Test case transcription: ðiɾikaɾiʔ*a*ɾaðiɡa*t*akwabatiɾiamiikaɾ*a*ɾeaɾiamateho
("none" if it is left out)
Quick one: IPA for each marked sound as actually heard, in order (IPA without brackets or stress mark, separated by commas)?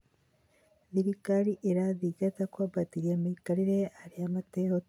e, t, i